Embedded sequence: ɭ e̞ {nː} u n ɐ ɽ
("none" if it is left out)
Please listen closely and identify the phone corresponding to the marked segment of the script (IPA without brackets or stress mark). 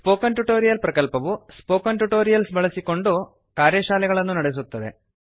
nː